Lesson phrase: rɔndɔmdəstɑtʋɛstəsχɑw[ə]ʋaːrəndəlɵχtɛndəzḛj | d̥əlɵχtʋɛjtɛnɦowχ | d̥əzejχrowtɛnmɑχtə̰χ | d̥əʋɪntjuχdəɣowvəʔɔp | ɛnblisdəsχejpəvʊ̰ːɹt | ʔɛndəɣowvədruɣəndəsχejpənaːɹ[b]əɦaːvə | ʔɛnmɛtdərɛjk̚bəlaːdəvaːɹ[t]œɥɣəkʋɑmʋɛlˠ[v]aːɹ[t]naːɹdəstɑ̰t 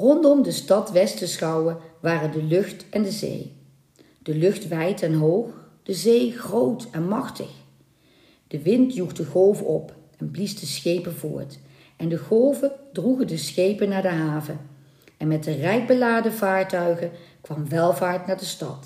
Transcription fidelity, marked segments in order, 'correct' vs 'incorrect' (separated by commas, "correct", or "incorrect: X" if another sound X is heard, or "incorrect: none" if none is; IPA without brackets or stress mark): correct, incorrect: d, correct, correct, correct